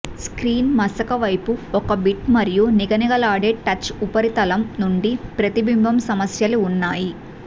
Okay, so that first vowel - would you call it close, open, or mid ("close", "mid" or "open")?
close